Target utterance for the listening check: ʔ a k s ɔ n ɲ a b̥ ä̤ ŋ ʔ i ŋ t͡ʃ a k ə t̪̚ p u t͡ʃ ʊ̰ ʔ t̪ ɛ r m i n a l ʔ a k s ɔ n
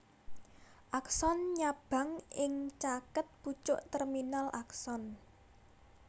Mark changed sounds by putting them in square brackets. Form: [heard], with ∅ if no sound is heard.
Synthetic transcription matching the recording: ʔ a k s ɔ n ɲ a b̥ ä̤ ŋ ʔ [ɪ] ŋ t͡ʃ a k ə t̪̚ p u t͡ʃ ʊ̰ ʔ t̪ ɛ r m i n a l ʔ a k s ɔ n